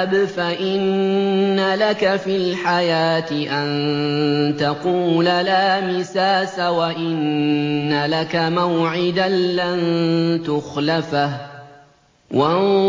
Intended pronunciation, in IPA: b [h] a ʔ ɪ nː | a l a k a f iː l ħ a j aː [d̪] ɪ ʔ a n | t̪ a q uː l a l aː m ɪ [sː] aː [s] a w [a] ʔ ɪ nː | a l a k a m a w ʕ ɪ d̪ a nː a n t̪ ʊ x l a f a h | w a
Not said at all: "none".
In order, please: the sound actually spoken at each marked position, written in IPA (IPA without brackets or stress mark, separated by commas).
f, t̪, s, s, a